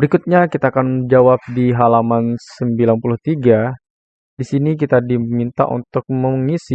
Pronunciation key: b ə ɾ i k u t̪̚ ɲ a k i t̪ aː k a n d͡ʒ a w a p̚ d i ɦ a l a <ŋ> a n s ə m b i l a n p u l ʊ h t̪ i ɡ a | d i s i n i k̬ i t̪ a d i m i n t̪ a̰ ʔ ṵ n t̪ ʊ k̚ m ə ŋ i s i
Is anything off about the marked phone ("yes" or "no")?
yes